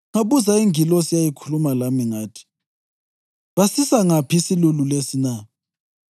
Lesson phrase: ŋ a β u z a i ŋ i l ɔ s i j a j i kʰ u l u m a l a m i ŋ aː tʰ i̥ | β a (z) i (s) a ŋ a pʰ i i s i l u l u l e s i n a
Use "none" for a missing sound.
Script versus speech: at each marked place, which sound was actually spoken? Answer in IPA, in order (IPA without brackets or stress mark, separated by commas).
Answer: s, s